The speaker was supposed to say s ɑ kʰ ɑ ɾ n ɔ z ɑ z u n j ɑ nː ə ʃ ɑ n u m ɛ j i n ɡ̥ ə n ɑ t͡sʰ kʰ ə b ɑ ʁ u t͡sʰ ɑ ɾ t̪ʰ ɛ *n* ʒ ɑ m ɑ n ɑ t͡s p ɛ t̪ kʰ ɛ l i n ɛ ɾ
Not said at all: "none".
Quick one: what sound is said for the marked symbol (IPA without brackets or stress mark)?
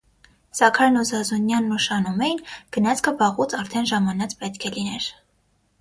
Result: n